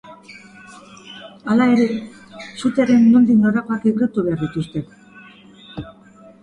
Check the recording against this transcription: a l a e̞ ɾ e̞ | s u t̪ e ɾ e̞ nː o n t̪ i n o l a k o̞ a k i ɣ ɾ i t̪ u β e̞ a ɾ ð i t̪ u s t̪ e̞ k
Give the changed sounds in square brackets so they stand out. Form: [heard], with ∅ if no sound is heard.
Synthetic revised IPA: a l a e̞ ɾ e̞ | s u t̪ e ɾ e̞ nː o n [d̪] i n o [ɾ] a k o̞ a k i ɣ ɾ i t̪ u β e̞ a ɾ ð i t̪ u s t̪ e̞ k